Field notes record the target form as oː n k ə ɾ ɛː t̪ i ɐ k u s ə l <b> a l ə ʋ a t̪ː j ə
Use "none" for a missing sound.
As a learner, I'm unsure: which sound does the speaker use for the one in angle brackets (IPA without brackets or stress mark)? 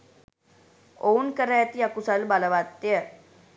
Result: b